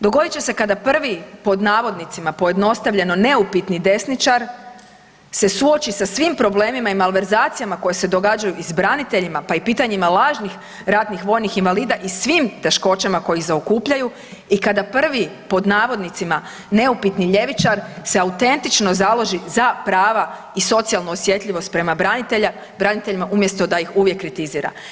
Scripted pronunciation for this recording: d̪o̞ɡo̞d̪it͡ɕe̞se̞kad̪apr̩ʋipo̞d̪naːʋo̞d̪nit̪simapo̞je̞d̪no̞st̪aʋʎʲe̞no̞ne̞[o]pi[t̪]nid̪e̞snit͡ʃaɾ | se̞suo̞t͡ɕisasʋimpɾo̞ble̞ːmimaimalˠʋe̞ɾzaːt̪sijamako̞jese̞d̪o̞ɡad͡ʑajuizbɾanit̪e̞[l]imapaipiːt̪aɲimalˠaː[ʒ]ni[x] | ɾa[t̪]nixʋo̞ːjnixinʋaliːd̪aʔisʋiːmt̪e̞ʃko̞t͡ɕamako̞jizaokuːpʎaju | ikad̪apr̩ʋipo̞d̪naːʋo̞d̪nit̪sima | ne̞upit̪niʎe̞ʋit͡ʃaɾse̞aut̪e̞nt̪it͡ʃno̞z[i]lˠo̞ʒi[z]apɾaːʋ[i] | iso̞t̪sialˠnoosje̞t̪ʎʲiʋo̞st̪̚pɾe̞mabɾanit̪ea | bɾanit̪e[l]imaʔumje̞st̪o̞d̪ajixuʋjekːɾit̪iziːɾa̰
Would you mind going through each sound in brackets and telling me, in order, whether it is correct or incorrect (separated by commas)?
incorrect, correct, incorrect, correct, correct, correct, incorrect, correct, incorrect, incorrect